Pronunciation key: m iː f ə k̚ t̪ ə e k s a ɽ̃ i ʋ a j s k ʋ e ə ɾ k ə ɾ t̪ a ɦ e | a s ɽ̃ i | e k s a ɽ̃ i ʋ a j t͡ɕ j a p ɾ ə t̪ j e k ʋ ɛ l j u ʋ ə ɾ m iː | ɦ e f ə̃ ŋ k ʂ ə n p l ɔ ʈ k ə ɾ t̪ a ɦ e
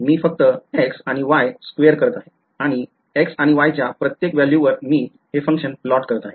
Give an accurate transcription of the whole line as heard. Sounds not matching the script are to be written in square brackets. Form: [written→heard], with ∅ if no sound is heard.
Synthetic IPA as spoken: m iː f ə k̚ t̪ ə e k s a ɽ̃ i ʋ a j s k ʋ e ə ɾ k ə ɾ t̪ a ɦ e | a [s→∅] ɽ̃ i | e k s a ɽ̃ i ʋ a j t͡ɕ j a p ɾ ə t̪ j e k ʋ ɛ l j u ʋ ə ɾ m iː | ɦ e f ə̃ ŋ k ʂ ə n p l ɔ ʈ k ə ɾ t̪ a ɦ e

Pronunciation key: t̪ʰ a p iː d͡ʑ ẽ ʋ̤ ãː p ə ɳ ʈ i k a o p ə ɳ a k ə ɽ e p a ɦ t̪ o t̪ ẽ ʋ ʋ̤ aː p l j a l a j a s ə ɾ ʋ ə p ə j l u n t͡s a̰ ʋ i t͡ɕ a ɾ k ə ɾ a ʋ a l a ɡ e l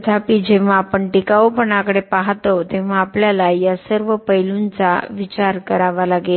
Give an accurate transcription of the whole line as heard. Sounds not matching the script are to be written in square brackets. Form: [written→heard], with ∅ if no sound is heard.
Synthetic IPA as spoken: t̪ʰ a p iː d͡ʑ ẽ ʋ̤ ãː p ə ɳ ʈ i k a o p ə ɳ a k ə ɽ e p a ɦ t̪ o t̪ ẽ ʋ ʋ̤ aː p l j a l a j a s ə ɾ ʋ ə p ə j l u n t͡s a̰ ʋ i t͡ɕ a ɾ k ə ɾ a ʋ a l a ɡ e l

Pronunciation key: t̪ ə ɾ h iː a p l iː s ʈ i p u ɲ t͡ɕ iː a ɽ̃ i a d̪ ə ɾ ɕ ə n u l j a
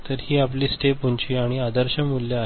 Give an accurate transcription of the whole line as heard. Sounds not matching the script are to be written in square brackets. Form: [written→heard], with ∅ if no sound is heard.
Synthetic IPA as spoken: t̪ ə ɾ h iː a p l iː s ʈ [i→e] p u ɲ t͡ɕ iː a ɽ̃ i a d̪ ə ɾ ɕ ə [n→m] u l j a

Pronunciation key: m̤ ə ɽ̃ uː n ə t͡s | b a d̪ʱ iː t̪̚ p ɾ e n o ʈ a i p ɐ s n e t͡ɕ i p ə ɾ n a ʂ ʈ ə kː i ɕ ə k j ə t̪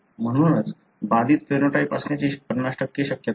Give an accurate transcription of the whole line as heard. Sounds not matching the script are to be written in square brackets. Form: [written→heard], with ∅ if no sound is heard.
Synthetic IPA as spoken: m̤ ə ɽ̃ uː n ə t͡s | b a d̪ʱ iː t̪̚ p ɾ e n o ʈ a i p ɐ s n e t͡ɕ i p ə ɾ n a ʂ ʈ ə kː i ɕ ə k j ə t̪

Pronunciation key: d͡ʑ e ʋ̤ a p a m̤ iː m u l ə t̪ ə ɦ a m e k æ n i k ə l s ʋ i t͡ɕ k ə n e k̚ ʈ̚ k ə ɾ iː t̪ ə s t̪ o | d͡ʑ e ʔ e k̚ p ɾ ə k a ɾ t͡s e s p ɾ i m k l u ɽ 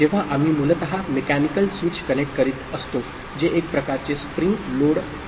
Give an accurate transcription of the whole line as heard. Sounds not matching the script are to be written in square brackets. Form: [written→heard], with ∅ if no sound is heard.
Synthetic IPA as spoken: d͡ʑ e ʋ̤ a [p→ʔ] a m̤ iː m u l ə t̪ ə ɦ a m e k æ n i k ə l s ʋ i t͡ɕ k ə n e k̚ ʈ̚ k ə ɾ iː t̪ ə s t̪ o | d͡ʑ e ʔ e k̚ p ɾ ə k a ɾ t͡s e s p ɾ i [m→ŋ] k l [u→o] ɽ

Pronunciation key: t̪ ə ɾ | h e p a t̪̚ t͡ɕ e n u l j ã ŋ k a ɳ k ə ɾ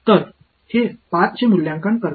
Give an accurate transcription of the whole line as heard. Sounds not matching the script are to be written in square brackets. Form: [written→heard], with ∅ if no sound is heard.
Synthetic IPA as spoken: t̪ ə ɾ | h e p a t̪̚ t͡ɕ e [n→m] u l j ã ŋ k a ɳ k ə ɾ

